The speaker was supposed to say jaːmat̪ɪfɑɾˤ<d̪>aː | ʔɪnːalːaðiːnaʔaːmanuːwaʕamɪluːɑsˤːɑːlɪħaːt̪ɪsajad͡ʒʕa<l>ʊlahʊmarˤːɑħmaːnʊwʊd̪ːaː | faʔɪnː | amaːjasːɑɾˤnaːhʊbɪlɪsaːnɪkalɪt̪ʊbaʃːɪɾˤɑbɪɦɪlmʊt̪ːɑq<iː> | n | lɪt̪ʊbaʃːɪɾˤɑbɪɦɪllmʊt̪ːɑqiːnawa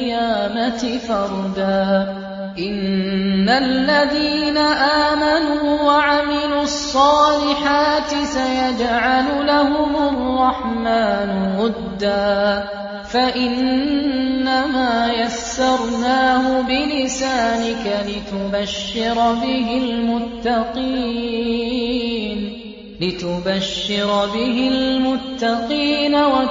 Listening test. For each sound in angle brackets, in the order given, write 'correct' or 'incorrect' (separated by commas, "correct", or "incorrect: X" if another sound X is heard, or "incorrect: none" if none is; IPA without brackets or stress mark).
correct, correct, correct